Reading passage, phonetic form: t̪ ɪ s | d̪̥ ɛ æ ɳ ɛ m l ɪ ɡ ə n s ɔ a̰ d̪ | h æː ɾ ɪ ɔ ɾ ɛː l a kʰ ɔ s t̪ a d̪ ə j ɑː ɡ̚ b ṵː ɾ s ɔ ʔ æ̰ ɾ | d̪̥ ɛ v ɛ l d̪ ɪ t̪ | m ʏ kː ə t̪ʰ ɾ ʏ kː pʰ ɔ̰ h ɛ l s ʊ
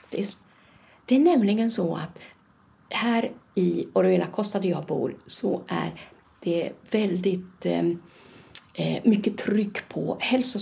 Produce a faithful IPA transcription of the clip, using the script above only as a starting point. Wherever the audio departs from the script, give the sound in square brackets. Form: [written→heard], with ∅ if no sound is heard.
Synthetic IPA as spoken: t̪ ɪ s | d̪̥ ɛ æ ɳ ɛ m l ɪ ɡ ə n s ɔ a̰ [d̪→t̪] | h æː ɾ ɪ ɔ ɾ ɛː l a kʰ ɔ s t̪ a d̪ ə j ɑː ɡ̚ b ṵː ɾ s ɔ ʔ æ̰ ɾ | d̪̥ ɛ v ɛ l d̪ ɪ t̪ | m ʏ kː ə t̪ʰ ɾ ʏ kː pʰ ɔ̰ h ɛ l s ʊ